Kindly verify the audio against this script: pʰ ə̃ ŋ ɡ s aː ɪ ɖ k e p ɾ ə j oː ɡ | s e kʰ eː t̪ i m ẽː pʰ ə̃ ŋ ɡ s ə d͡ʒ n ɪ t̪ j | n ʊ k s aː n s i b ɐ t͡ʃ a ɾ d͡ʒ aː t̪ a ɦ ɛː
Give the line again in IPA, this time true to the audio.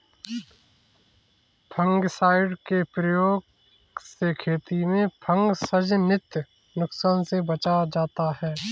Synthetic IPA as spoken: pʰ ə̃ ŋ ɡ s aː ɪ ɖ k e p ɾ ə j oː ɡ | s e kʰ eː t̪ i m ẽ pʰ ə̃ ŋ ɡ s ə d͡ʒ n ɪ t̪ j | n ʊ k s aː n s e b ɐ t͡ʃ a d͡ʒ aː t̪ a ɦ ɛː